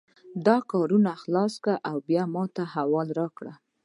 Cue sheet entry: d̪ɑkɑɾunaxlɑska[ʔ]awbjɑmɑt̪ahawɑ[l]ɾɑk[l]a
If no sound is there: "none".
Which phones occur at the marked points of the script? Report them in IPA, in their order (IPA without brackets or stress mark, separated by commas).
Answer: ʔ, l, ɽ